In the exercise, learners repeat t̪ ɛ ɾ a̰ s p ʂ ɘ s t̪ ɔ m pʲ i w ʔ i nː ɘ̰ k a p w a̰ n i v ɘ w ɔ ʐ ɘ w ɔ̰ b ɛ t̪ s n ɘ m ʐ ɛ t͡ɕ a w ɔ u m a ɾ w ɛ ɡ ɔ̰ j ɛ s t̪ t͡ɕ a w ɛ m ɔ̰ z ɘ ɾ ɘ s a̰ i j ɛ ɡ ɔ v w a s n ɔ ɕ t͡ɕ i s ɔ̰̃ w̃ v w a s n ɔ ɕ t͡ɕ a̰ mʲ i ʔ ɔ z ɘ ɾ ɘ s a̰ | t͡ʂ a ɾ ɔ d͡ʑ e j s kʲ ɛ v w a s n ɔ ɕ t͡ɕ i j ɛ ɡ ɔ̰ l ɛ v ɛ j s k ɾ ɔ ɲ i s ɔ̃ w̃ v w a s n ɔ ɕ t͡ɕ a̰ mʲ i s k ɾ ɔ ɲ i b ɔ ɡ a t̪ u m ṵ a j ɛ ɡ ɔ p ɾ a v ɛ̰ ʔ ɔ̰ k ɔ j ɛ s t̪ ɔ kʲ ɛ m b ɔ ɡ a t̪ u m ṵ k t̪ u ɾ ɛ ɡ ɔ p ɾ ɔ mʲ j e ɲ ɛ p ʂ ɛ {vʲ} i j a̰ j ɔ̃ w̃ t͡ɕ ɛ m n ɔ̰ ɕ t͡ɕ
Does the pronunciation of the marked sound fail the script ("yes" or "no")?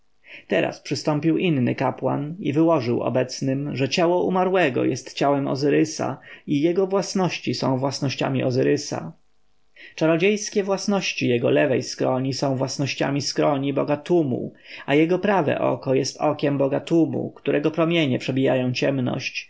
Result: yes